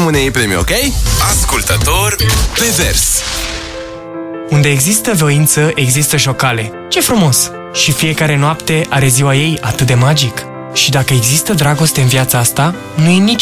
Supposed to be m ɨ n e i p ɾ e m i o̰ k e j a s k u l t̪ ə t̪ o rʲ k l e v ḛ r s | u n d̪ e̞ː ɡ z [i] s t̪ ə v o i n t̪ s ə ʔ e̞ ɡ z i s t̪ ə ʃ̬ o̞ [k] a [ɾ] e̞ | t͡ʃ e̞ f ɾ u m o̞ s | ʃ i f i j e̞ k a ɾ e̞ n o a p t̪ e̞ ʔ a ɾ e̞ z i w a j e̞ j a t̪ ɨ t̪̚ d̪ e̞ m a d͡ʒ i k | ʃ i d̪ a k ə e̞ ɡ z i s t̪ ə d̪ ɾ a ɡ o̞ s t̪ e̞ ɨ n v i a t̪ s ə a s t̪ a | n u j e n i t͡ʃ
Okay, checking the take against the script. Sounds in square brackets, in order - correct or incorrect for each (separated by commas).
correct, correct, incorrect